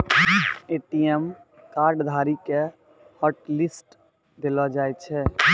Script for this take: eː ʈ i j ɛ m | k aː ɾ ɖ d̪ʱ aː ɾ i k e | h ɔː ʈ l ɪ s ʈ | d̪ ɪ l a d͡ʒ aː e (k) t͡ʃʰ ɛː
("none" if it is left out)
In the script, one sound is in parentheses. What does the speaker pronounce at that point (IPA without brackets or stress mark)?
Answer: none